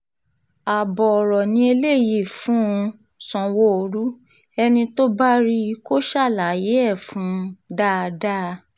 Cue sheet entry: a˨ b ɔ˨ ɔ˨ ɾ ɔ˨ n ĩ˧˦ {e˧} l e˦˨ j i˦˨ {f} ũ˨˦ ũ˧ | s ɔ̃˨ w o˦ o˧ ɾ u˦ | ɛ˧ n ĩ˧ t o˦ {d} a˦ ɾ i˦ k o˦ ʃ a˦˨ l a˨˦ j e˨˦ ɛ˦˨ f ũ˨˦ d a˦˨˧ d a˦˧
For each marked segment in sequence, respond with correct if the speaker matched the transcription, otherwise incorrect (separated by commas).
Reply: correct, correct, incorrect